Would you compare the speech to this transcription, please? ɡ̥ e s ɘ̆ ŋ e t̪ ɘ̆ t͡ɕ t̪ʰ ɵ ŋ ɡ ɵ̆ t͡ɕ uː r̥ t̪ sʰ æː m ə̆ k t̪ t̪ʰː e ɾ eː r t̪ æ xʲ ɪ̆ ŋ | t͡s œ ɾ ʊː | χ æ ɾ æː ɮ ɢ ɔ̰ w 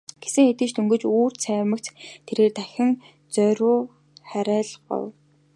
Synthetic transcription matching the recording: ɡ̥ e s ɘ̆ ŋ e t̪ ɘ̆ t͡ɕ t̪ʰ ɵ ŋ ɡ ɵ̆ t͡ɕ uː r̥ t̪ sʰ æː m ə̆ k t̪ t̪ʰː e ɾ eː r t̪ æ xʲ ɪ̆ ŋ | t͡s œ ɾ ʊː | χ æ ɾ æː ɮ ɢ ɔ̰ w